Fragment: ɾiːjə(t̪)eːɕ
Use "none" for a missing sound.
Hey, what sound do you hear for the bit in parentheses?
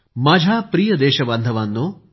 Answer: d̪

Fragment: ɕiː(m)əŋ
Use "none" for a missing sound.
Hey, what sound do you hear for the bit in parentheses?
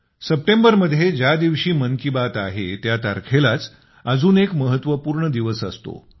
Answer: m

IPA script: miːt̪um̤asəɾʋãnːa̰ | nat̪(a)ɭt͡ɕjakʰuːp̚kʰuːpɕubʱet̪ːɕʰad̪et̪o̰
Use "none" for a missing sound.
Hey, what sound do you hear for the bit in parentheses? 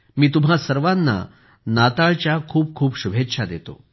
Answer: a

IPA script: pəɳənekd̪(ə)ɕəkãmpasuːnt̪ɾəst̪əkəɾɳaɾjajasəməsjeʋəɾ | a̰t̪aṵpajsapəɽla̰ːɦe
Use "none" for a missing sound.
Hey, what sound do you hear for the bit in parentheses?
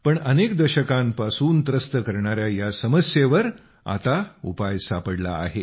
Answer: ə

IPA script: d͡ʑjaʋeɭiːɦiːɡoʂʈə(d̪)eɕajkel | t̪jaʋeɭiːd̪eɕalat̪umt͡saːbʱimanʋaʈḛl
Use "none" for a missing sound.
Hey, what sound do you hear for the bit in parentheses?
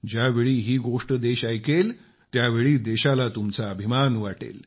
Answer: d̪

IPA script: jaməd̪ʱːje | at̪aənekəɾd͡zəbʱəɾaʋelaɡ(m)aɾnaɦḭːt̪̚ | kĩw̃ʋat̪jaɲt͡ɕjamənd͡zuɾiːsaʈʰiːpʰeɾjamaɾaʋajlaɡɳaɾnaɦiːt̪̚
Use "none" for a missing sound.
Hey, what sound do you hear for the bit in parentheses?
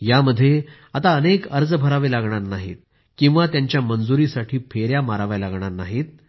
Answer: ɳ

